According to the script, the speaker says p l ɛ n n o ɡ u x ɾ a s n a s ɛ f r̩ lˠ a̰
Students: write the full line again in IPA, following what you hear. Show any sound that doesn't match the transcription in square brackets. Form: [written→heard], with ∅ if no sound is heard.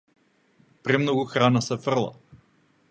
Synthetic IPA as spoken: p [l→ɾ] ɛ [n→m] n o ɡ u x ɾ a [s→∅] n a s ɛ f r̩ lˠ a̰